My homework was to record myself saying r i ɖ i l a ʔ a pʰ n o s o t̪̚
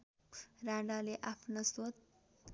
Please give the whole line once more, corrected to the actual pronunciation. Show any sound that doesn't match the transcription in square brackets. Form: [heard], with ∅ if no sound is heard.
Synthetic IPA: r [a] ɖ [a] l [e] ʔ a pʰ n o s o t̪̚

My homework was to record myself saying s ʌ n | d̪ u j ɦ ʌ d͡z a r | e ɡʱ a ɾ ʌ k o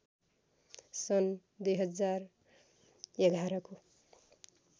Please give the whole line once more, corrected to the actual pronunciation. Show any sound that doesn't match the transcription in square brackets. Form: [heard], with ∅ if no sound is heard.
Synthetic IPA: s ʌ n | d̪ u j ɦ ʌ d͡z a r | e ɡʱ a ɾ ʌ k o

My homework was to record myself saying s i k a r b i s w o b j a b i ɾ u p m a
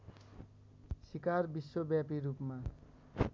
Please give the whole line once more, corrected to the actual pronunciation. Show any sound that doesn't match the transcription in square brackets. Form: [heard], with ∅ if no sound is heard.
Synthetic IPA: s i k a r b i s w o b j a [p] i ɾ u p m a

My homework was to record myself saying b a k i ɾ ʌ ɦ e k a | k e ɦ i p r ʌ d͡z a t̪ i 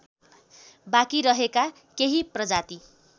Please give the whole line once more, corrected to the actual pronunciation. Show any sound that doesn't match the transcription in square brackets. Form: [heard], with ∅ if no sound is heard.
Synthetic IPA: b a k i ɾ ʌ ɦ e k a | k e ɦ i p r ʌ d͡z a t̪ i

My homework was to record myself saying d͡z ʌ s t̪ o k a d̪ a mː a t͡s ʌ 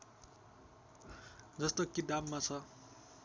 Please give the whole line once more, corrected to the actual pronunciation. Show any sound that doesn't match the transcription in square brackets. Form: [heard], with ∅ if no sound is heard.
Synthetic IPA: d͡z ʌ s t̪ o k [i] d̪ a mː a [t͡sʰ] ʌ

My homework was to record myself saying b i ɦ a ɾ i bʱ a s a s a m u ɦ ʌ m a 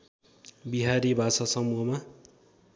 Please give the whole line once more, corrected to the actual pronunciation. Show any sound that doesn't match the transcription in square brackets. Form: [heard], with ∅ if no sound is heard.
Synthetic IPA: b i ɦ a ɾ i bʱ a s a s [ʌ] m u ɦ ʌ m a

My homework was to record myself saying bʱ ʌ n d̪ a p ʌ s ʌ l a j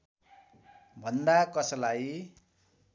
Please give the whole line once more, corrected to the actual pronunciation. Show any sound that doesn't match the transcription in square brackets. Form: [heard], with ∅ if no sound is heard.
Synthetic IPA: bʱ ʌ n d̪ a [k] ʌ s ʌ l a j

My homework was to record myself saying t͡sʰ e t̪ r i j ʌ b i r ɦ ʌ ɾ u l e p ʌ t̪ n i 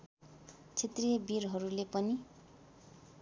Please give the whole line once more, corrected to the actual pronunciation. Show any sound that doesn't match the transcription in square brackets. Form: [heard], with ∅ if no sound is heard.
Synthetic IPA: t͡sʰ e t̪ r i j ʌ b i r ɦ ʌ ɾ u l e p ʌ [∅] n i

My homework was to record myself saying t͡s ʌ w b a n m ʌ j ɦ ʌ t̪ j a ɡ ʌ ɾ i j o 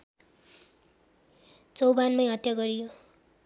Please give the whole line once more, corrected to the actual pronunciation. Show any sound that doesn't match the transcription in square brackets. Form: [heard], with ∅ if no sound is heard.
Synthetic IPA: t͡s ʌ w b a n m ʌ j ɦ ʌ t̪ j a ɡ ʌ ɾ i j o

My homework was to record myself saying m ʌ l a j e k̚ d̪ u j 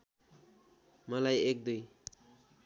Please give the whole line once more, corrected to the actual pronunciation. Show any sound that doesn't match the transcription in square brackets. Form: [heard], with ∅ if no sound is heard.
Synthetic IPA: m ʌ l a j e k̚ d̪ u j

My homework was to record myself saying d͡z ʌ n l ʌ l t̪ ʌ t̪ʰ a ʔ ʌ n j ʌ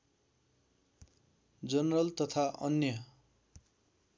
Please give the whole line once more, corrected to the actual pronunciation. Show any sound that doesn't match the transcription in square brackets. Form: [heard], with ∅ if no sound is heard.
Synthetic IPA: d͡z ʌ n [r] ʌ l t̪ ʌ t̪ʰ a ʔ ʌ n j ʌ

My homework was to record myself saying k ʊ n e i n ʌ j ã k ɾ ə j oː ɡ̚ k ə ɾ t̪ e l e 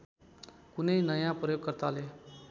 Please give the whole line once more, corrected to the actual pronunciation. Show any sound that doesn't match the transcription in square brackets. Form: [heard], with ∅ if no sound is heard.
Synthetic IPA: k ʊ n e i n [ə] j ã [p] ɾ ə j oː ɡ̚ k ə ɾ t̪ [a] l e

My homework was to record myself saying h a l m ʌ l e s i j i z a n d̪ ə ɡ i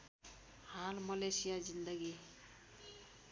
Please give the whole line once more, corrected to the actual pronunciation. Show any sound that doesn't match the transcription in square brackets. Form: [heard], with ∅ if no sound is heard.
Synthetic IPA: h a l m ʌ l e s i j [a] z [i] n d̪ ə ɡ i

